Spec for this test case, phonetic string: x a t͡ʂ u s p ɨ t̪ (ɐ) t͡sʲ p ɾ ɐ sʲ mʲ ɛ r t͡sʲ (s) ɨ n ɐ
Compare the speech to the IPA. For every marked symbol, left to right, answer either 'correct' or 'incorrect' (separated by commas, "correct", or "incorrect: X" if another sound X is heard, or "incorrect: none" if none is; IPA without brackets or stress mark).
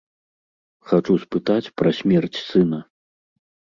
incorrect: a, correct